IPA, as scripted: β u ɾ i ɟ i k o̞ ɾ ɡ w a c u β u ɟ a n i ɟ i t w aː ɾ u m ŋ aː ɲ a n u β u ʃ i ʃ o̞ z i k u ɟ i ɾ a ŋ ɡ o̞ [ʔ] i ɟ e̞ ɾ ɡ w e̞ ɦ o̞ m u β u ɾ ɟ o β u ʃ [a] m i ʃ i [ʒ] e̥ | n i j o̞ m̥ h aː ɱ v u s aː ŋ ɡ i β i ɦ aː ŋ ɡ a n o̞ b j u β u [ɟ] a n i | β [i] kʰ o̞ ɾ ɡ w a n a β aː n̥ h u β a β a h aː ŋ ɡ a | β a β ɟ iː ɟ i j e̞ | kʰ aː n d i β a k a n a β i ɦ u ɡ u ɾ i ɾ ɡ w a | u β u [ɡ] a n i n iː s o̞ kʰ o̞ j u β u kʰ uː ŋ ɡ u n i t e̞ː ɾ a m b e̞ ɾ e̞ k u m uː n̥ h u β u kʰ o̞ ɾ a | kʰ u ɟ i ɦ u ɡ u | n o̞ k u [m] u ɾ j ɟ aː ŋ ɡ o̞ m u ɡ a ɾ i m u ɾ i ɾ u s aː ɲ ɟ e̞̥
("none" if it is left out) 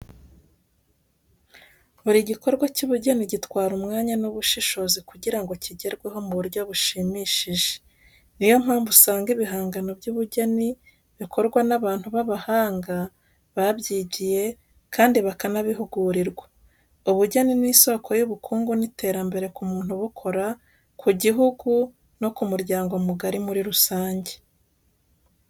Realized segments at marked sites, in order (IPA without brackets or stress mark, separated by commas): c, i, ʒ, ɟ, i, ɟ, m